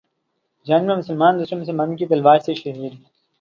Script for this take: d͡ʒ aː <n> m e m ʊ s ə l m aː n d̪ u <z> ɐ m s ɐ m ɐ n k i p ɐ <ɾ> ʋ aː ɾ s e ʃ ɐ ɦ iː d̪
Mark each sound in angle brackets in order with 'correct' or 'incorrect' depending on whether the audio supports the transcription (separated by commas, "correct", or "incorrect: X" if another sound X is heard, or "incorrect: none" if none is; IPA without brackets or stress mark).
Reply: correct, incorrect: s, incorrect: l